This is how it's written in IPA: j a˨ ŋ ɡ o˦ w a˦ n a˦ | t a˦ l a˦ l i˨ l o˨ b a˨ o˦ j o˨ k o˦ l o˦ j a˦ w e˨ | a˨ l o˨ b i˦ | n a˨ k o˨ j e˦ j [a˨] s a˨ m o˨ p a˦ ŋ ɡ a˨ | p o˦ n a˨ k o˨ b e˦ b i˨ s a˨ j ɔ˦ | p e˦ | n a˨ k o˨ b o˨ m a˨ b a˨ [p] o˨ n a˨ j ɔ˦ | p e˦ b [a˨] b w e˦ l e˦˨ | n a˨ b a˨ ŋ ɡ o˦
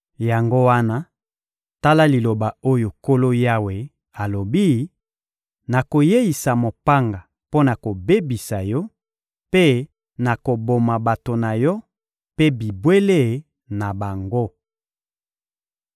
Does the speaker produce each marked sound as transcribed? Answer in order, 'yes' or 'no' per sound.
no, no, no

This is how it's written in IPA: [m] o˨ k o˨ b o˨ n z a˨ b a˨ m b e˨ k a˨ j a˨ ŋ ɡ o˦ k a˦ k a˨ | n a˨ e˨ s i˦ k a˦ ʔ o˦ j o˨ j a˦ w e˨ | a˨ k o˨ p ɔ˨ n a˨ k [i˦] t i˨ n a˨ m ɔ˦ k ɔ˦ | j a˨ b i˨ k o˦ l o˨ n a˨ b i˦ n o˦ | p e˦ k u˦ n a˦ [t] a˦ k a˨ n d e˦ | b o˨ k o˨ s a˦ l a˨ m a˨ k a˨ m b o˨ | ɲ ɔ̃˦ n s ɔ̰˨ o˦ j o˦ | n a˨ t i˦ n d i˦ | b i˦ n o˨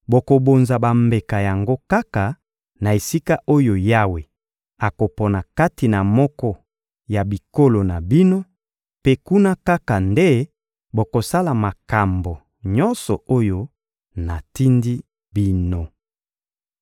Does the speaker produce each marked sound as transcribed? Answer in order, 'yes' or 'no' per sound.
no, no, no

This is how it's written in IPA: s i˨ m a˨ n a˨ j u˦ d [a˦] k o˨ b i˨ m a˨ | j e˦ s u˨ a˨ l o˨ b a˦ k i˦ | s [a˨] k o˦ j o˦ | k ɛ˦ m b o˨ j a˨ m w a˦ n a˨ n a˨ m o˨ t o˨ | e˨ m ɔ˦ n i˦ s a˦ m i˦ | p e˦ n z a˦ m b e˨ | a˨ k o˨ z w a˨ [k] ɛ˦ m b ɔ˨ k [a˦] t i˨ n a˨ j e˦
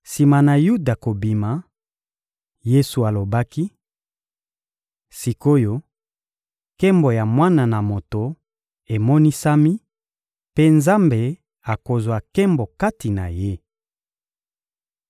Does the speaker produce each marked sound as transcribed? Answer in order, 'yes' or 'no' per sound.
no, no, yes, yes

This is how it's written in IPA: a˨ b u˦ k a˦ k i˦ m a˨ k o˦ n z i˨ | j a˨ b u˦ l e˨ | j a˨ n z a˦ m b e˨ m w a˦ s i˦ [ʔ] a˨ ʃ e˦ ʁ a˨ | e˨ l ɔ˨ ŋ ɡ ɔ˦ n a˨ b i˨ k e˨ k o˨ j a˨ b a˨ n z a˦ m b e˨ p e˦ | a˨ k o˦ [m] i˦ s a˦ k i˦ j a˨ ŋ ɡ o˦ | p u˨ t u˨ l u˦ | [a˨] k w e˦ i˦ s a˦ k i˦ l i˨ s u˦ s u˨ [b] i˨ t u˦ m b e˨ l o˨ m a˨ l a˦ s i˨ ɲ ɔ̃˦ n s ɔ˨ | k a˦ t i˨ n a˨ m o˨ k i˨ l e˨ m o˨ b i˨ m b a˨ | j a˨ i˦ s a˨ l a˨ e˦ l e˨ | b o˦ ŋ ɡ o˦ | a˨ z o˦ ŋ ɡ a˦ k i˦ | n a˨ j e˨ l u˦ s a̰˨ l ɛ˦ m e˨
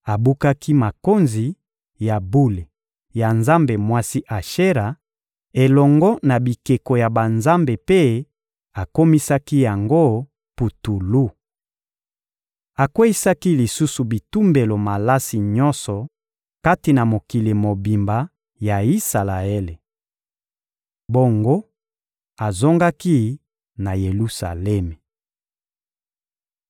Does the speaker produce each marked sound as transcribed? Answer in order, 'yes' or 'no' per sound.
yes, yes, yes, yes

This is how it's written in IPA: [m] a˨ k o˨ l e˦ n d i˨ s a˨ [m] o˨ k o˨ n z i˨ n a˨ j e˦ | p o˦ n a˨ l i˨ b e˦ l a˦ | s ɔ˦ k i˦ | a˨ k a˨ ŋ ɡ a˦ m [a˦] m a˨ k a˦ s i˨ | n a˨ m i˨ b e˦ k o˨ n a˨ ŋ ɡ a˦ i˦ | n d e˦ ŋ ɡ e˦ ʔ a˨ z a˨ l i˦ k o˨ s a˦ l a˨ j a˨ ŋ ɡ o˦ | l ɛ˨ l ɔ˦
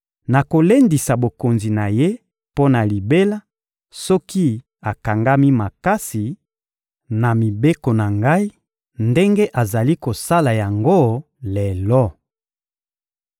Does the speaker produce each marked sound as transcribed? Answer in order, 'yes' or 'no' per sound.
no, no, no

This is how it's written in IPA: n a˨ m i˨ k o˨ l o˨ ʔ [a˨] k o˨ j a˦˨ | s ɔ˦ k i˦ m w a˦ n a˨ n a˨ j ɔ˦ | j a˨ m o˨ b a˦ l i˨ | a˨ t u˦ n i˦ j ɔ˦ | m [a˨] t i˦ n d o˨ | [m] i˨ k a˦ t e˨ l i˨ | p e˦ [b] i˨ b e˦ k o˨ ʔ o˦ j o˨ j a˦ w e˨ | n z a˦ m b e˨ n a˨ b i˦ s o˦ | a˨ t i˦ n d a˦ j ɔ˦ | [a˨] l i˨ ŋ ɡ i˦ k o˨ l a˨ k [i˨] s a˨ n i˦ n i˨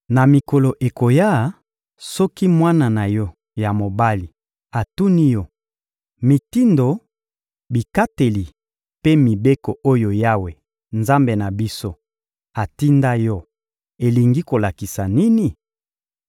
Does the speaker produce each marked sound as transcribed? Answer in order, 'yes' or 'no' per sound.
no, no, no, no, no, yes

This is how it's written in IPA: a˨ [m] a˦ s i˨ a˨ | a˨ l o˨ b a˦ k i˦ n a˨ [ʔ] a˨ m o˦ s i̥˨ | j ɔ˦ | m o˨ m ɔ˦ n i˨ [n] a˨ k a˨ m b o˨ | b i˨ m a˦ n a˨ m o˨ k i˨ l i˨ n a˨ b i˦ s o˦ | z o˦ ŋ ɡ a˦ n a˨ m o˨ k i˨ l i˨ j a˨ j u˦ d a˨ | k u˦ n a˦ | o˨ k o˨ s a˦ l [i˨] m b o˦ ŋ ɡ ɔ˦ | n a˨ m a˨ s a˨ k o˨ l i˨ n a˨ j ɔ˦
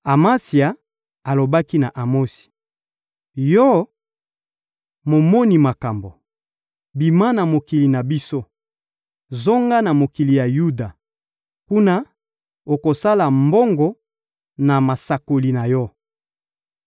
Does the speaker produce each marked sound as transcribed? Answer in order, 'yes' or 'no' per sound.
yes, yes, no, no

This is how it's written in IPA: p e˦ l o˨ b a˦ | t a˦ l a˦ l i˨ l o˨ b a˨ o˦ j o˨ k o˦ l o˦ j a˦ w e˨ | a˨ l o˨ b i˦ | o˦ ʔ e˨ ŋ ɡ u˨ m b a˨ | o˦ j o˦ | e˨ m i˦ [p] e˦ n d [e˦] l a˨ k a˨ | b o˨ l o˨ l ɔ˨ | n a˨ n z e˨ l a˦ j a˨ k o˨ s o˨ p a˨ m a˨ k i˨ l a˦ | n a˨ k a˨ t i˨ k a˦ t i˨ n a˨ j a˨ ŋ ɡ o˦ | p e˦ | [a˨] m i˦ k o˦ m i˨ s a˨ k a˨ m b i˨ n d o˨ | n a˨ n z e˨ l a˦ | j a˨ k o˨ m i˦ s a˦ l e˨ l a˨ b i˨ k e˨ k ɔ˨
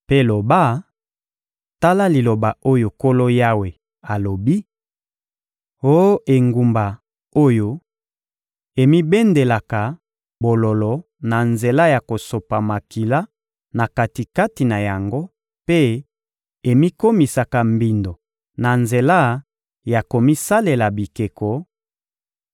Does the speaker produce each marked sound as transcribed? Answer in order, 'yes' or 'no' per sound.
no, no, no

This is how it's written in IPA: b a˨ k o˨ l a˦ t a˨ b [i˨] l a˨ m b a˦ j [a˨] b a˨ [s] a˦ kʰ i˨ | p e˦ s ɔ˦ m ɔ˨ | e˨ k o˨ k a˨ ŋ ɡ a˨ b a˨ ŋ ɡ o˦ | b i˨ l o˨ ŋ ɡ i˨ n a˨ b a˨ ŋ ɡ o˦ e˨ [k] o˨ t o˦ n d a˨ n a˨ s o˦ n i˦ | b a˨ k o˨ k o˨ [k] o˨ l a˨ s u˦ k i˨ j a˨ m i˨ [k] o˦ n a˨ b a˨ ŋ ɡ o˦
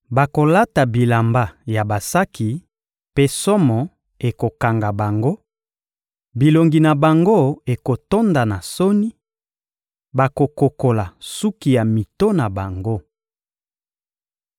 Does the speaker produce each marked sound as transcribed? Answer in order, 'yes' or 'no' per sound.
yes, yes, yes, yes, yes, no

